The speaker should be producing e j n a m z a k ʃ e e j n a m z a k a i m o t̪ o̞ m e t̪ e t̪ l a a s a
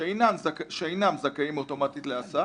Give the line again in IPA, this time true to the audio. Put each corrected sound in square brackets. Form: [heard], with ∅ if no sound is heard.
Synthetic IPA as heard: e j n a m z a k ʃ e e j n a m z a k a i m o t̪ o̞ m [a] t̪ [i] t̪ l [e] a s a